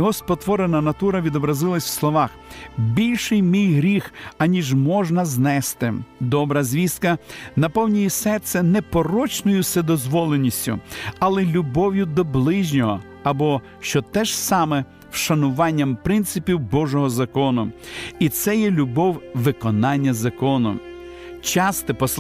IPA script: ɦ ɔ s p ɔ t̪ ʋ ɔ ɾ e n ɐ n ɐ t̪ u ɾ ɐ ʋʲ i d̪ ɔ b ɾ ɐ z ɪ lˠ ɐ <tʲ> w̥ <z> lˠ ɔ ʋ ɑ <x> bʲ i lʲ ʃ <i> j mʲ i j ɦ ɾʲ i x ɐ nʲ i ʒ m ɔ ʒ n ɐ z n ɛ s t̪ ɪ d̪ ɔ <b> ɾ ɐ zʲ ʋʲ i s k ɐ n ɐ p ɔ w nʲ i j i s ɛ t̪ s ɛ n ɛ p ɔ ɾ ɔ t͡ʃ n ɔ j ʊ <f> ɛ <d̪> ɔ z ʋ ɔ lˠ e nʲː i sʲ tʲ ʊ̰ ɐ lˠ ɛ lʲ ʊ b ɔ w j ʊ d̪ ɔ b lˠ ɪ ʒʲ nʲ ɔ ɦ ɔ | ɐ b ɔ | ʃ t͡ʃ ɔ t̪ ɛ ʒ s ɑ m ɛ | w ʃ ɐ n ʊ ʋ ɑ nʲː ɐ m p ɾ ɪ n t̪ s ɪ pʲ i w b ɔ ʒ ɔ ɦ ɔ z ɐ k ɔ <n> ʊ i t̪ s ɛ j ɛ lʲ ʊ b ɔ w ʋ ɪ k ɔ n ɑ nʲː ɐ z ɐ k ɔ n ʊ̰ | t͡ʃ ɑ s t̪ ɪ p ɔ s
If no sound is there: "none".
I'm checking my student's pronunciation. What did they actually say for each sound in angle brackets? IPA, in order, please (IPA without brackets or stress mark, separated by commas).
sʲ, s, x, ɪ, b, s, d̪, n